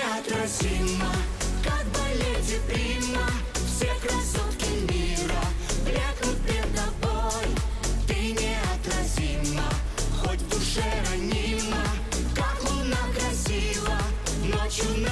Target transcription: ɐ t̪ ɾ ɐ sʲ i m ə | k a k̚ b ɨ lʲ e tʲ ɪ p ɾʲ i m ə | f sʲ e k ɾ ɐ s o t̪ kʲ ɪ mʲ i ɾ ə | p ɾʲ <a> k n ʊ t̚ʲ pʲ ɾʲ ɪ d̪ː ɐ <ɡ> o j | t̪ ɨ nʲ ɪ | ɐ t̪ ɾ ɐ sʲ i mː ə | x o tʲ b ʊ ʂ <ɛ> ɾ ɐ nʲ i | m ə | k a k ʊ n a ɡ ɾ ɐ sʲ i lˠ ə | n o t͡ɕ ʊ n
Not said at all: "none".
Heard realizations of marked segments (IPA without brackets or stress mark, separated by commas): a, b, ɛ